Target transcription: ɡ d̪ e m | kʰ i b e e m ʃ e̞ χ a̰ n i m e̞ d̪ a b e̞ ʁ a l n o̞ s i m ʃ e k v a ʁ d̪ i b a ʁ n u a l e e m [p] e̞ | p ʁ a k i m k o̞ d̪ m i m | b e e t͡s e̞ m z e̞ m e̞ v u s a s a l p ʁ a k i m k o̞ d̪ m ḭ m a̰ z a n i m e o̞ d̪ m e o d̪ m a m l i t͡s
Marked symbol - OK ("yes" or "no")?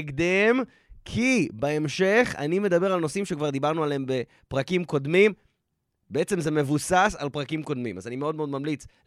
no